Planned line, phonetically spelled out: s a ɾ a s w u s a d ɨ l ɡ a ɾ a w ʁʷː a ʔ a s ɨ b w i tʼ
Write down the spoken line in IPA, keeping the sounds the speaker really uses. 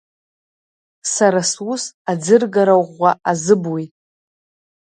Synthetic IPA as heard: s a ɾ a s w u s a d͡z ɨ r ɡ a ɾ a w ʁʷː a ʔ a z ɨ b w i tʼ

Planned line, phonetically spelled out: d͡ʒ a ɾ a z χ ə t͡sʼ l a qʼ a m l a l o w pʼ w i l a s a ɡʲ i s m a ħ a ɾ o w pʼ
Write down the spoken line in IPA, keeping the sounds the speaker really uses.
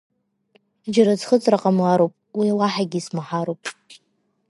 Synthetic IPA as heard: d͡ʒ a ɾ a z χ ə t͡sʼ r a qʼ a m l a ɾ o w pʼ w i l a ħ a ɡʲ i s m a ħ a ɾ o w pʼ

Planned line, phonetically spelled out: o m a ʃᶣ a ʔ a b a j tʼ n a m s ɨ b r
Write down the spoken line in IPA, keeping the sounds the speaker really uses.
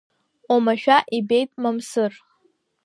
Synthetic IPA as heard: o m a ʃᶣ a ʔ i b e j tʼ m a m s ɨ r

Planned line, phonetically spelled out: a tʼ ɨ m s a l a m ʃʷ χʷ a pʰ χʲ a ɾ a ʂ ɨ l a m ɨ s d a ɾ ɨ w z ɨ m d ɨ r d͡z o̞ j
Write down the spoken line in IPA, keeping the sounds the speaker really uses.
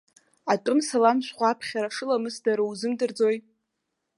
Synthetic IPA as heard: a tʼ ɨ m s a l a m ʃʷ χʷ a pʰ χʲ a ɾ a ʂ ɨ l a m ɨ s d a ɾ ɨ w z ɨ m d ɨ r d͡z o̞ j

